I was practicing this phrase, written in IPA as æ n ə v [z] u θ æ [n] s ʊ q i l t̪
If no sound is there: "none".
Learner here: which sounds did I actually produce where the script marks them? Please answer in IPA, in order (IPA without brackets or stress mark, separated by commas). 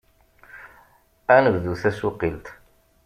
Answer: ð, none